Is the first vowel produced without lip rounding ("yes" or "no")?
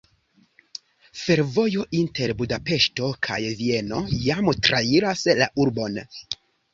yes